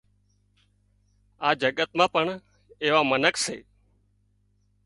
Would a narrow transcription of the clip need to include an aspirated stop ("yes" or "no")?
no